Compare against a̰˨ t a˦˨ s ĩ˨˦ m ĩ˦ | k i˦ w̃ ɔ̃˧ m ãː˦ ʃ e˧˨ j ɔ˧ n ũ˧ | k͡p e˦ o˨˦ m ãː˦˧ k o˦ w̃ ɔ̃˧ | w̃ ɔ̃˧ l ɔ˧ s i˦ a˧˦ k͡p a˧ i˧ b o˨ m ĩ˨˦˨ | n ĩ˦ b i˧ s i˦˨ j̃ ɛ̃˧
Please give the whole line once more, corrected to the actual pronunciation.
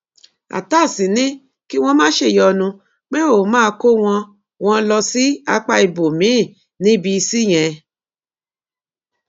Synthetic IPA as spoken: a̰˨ t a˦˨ s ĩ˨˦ n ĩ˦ | k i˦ w̃ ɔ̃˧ m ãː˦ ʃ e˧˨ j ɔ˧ n ũ˧ | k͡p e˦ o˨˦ m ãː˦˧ k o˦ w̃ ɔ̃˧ | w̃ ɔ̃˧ l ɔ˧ s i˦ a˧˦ k͡p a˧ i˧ b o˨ m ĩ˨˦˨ | n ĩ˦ b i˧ s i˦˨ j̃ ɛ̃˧

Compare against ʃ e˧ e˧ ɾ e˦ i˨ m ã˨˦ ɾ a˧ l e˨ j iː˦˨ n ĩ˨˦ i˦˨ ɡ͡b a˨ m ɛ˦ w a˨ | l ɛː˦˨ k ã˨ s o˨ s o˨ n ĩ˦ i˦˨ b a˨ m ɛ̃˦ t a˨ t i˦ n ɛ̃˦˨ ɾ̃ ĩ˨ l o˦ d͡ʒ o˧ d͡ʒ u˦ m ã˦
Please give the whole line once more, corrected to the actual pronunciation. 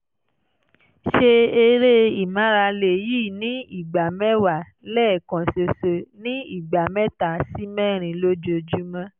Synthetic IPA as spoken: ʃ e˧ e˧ ɾ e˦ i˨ m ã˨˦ ɾ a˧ l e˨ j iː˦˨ n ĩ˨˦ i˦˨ ɡ͡b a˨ m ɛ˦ w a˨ | l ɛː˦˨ k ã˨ s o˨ s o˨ n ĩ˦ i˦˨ ɡ͡b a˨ m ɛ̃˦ t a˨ s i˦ m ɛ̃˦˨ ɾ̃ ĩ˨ l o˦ d͡ʒ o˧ d͡ʒ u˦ m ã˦

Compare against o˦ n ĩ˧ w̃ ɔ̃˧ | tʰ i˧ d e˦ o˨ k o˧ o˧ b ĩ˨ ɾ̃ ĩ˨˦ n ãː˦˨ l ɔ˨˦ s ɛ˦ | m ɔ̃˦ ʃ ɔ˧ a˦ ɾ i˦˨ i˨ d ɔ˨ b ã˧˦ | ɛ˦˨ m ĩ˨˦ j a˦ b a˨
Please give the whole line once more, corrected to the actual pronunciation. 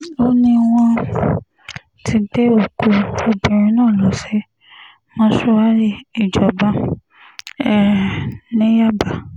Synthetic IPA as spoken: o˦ n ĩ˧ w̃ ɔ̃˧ | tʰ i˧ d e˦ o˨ k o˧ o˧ b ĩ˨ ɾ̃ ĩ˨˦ n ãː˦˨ l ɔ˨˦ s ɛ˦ | m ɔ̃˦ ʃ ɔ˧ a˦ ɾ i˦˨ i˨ d͡ʒ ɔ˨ b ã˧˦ | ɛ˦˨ n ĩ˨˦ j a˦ b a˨

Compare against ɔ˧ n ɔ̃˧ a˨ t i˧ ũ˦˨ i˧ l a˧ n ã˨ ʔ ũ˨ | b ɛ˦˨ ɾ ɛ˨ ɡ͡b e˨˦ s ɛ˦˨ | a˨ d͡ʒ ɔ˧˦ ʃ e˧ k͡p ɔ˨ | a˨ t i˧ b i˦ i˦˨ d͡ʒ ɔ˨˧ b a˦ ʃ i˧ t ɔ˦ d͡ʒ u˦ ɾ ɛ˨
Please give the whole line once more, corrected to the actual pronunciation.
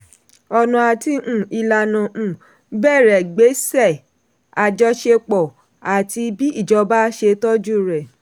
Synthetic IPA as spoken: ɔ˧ n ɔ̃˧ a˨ t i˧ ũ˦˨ i˧ l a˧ n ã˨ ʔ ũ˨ | b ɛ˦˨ ɾ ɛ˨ ɡ͡b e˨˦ s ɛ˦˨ | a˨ d͡ʒ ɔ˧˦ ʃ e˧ k͡p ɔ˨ | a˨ t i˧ b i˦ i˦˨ d͡ʒ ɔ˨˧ b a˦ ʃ e˧ t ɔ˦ d͡ʒ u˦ ɾ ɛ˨

